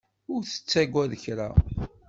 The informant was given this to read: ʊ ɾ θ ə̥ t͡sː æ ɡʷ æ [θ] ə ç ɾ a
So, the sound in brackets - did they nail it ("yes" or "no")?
no